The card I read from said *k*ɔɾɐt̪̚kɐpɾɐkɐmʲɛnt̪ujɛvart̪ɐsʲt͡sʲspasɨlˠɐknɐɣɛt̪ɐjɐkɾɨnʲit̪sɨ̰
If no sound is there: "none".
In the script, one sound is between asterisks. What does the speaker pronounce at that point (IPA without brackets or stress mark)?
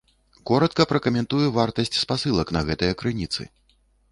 k